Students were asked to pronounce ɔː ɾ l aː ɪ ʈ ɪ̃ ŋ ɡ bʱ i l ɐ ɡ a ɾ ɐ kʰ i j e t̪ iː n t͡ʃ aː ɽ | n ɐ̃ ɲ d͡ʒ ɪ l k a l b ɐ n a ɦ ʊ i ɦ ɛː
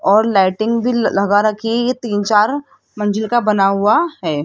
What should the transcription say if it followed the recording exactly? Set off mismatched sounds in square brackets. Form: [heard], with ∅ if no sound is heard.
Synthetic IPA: ɔː ɾ l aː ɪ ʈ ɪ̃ ŋ ɡ bʱ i l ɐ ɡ a ɾ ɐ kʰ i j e t̪ iː n t͡ʃ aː [ɾ] | [m] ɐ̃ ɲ d͡ʒ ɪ l k a [∅] b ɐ n a ɦ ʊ [a] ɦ ɛː

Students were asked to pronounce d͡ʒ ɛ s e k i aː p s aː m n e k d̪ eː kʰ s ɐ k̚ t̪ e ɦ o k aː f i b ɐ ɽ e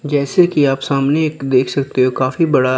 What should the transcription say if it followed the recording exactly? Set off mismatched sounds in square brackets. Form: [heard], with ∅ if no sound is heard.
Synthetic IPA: d͡ʒ [ɛː] s e k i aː p s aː m n e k d̪ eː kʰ s ɐ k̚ t̪ e ɦ o k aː f i b ɐ ɽ [a]

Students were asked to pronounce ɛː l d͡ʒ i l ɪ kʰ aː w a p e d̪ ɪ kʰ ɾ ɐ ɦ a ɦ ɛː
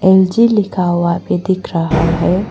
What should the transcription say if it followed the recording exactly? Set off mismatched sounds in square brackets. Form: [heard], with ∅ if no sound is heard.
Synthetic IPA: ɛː l d͡ʒ i l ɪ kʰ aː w a p e d̪ ɪ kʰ ɾ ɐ ɦ a ɦ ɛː

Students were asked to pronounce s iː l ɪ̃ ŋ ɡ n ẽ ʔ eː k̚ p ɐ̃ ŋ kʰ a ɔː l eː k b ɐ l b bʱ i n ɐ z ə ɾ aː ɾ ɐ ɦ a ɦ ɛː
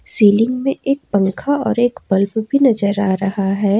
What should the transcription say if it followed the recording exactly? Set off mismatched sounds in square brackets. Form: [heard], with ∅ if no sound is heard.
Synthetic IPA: s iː l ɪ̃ ŋ ɡ [m] ẽ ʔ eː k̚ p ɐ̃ ŋ kʰ a ɔː [ɾ] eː k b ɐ l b bʱ i n ɐ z ə ɾ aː ɾ ɐ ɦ a ɦ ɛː

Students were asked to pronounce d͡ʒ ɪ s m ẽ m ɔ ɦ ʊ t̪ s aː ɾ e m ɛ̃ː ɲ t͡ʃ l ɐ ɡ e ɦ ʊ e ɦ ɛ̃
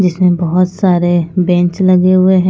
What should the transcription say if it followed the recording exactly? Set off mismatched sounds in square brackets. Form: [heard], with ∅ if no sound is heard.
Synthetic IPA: d͡ʒ ɪ s m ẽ [b] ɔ ɦ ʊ t̪ s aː ɾ e [b] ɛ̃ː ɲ t͡ʃ l ɐ ɡ e ɦ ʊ e ɦ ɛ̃

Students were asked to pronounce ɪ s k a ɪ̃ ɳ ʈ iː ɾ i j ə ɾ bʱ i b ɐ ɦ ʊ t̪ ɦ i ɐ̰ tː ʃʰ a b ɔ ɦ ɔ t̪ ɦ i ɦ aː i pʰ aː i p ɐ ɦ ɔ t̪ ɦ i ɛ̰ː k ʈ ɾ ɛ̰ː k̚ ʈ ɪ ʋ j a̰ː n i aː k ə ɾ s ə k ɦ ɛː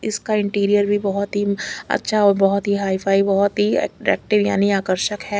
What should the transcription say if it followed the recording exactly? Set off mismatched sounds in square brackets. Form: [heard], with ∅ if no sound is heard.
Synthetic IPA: ɪ s k a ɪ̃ ɳ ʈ iː ɾ i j ə ɾ bʱ i b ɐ ɦ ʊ t̪ ɦ i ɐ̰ tː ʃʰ a b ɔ ɦ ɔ t̪ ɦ i ɦ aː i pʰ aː i [b] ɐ ɦ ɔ t̪ ɦ i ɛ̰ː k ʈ ɾ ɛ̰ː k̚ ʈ ɪ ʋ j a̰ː n i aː k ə ɾ [ʃ] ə k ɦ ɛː

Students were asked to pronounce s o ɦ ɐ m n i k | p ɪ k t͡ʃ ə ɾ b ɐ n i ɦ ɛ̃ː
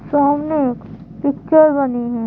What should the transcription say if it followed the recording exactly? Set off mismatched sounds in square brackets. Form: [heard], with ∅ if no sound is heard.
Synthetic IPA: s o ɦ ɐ m n [e] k | p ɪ k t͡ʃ ə ɾ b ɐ n i ɦ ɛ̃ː

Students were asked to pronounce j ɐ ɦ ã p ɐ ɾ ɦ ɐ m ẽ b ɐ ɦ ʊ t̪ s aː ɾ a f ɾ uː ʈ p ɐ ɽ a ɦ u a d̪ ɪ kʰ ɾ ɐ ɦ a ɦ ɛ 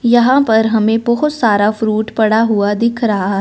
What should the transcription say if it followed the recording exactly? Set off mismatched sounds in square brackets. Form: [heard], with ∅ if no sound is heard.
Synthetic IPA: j ɐ ɦ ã p ɐ ɾ ɦ ɐ m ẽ b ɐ ɦ ʊ t̪ s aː ɾ a f ɾ uː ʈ p ɐ ɽ a ɦ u a d̪ ɪ kʰ ɾ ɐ ɦ a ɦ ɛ

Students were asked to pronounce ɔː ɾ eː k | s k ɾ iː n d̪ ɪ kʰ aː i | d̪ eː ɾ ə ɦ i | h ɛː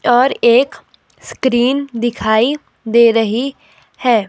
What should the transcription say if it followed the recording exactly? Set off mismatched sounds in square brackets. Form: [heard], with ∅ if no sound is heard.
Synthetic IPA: ɔː ɾ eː k | s k ɾ iː n d̪ ɪ kʰ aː i | d̪ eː ɾ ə ɦ i | h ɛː

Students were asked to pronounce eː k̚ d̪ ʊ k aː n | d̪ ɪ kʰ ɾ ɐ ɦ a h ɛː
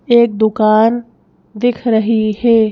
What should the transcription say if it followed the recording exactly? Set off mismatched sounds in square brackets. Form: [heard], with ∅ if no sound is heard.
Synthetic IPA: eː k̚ d̪ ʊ k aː n | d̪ ɪ kʰ ɾ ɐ ɦ [i] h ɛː

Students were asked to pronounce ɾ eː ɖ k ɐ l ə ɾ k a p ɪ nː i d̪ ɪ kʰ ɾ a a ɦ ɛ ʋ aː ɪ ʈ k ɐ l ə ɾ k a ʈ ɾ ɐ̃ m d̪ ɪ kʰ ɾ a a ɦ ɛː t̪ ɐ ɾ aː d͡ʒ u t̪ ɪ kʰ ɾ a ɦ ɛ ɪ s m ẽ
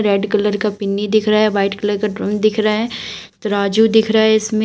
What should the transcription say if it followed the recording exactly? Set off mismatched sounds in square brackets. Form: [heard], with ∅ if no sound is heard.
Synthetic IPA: ɾ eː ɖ k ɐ l ə ɾ k a p ɪ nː i d̪ ɪ kʰ ɾ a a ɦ ɛ ʋ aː ɪ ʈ k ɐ l ə ɾ k a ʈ ɾ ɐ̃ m d̪ ɪ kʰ ɾ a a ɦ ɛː t̪ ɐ ɾ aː d͡ʒ u [d̪] ɪ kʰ ɾ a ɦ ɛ ɪ s m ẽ

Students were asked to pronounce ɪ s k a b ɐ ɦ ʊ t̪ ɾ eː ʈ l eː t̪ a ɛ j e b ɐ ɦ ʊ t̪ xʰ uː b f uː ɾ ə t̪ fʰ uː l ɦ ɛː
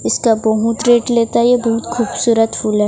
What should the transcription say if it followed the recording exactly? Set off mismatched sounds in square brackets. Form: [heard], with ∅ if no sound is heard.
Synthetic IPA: ɪ s k a b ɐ ɦ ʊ t̪ ɾ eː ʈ l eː t̪ a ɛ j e b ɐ ɦ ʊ t̪ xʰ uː b [s] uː ɾ ə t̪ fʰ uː l ɦ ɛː

